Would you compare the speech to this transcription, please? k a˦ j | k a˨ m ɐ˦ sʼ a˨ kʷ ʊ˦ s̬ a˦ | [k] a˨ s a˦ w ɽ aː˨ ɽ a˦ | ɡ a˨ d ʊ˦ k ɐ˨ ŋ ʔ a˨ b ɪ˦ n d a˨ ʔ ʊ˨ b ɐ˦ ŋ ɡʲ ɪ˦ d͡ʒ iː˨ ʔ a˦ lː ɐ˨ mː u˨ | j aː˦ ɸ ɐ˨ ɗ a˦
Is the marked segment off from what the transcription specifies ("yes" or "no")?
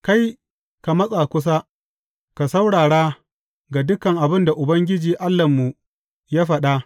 no